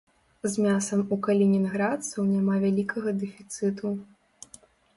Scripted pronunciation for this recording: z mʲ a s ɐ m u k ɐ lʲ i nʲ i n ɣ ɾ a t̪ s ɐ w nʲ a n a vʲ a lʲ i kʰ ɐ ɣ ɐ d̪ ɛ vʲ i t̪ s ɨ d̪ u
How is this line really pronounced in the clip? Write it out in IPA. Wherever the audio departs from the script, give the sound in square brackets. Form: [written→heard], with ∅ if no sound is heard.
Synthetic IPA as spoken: z mʲ a s ɐ m u k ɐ lʲ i nʲ i n ɣ ɾ a t̪ s ɐ w nʲ a [n→m] a vʲ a lʲ i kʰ ɐ ɣ ɐ d̪ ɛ [vʲ→fʲ] i t̪ s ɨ [d̪→t̪] u